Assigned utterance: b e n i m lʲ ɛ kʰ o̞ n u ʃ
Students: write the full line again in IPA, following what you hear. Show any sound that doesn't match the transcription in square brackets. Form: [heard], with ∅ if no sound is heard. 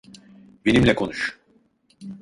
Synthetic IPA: b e n i m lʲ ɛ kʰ o̞ n u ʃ